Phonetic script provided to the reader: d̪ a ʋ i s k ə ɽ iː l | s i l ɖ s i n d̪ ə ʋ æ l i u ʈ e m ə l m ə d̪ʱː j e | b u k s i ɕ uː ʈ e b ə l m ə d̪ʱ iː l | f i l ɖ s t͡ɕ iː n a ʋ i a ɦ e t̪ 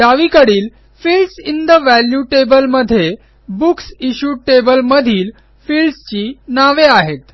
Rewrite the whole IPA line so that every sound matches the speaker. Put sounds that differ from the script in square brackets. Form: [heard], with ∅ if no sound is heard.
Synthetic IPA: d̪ a ʋ i [∅] k ə ɽ iː l | [f] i l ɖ s i n d̪ ə ʋ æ l [j] u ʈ e [b] ə l m ə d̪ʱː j e | b u k s i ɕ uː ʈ e b ə l m ə d̪ʱ iː l | f i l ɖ s t͡ɕ iː n a ʋ [e] a ɦ e t̪